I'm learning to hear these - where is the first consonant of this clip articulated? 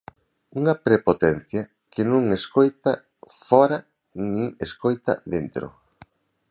velum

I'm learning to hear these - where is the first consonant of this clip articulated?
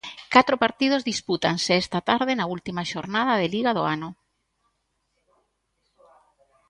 velum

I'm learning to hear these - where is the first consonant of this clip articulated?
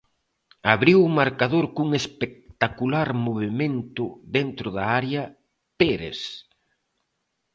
lips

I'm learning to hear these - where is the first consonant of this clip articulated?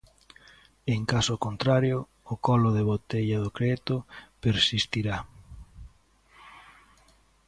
velum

